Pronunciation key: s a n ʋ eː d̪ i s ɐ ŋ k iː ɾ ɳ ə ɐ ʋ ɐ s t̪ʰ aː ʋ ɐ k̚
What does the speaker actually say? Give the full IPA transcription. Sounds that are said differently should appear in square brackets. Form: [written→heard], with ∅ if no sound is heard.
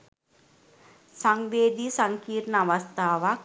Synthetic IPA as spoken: s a [n→ŋ] ʋ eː d̪ i s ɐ ŋ k iː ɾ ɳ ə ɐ ʋ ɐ s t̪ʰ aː ʋ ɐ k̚